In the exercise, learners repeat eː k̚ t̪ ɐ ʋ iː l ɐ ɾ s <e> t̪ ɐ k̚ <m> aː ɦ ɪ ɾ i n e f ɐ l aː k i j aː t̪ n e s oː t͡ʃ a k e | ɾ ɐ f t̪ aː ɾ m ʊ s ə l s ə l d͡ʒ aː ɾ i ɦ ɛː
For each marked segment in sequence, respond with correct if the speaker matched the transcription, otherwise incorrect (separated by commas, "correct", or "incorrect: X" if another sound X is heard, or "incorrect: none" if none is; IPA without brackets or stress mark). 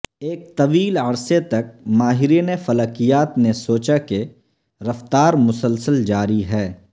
correct, correct